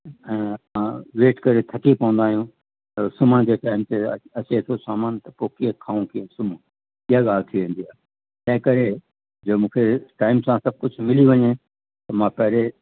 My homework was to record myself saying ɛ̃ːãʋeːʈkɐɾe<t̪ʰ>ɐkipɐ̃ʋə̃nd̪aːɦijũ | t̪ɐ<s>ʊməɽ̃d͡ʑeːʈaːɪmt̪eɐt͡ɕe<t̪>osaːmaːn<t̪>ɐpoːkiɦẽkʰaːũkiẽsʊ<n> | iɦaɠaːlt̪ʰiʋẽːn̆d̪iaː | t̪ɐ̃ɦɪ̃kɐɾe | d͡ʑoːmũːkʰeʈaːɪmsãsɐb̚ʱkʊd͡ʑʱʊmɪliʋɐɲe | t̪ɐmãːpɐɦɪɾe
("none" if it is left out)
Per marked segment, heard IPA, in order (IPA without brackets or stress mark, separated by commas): t̪ʰ, s, t̪ʰ, t̪, m